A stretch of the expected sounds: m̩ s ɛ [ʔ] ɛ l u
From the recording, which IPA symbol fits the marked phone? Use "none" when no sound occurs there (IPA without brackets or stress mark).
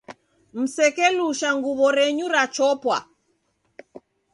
k